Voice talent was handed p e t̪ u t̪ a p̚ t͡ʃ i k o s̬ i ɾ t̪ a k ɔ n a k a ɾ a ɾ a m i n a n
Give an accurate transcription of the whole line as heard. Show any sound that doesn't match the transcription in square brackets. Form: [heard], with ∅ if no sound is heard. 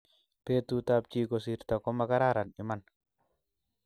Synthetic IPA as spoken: p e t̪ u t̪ a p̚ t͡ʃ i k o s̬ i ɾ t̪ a k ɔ [m] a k a ɾ a ɾ a [n] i [m] a n